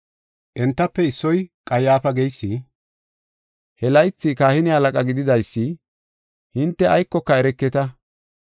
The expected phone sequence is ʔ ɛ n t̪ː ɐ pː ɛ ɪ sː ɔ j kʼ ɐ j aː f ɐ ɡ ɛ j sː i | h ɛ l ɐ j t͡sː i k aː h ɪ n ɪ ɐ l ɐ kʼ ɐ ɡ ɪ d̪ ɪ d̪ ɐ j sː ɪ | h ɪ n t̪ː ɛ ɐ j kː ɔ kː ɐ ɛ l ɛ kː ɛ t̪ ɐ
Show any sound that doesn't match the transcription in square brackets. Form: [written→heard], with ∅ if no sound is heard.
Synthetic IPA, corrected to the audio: ʔ ɛ n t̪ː ɐ pː ɛ ɪ sː ɔ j kʼ ɐ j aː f ɐ ɡ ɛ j sː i | h ɛ l ɐ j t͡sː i k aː h ɪ n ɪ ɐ l ɐ kʼ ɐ ɡ ɪ d̪ ɪ d̪ ɐ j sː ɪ | h ɪ n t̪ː ɛ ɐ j kː ɔ kː ɐ ɛ [l→ɾ] ɛ kː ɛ t̪ ɐ